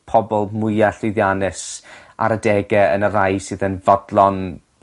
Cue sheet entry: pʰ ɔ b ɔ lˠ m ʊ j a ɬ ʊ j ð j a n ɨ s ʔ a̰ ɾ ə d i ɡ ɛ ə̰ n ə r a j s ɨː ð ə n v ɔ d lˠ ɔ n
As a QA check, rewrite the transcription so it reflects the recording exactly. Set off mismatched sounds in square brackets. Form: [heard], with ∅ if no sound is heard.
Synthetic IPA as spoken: pʰ ɔ b ɔ lˠ m ʊ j a ɬ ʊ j ð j a n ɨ s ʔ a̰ ɾ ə d [ɛ] ɡ ɛ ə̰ n ə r a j s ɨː ð ə n v ɔ d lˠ ɔ n